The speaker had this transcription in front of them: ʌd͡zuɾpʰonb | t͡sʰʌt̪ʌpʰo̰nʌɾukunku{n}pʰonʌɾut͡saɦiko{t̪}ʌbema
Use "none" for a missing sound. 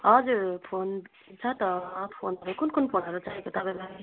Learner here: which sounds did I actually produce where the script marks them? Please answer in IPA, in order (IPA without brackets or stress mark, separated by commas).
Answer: n, t̪